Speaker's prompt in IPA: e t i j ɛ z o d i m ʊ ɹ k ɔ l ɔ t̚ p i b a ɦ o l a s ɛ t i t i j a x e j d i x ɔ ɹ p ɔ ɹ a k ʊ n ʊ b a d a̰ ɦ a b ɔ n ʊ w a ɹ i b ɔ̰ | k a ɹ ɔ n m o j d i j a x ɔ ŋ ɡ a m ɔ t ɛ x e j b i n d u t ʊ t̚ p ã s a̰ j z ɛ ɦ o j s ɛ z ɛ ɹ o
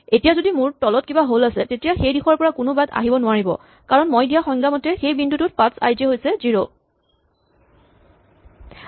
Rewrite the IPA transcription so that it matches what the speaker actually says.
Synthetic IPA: e t i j a z o d i m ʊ ɹ t ɔ l ɔ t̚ k i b a ɦ o l a s ɛ t e t i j a x e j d i x ɔ ɹ p ɔ ɹ a k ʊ n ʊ b a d a̰ ɦ i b ɔ n ʊ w a ɹ i b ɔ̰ | k a ɹ ɔ n m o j d i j a x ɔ ŋ ɡ a m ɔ t ɛ x e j b i n d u t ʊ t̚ p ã s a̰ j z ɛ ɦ o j s ɛ z i ɹ o